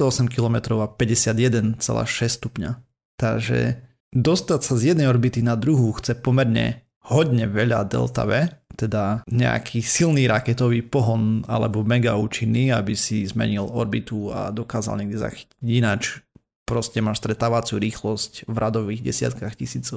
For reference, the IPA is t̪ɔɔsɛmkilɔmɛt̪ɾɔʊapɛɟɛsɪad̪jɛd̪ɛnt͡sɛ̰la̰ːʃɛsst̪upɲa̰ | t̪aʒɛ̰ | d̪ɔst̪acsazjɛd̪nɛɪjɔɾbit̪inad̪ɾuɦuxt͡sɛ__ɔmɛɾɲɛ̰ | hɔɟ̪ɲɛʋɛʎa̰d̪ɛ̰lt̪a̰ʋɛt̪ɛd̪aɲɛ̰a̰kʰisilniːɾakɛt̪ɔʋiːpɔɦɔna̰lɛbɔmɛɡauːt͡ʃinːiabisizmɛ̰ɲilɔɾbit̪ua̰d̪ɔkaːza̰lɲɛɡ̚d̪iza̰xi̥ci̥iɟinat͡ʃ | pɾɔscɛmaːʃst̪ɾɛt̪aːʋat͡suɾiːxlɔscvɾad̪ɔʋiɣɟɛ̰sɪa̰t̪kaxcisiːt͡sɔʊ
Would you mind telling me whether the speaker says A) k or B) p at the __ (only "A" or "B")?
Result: B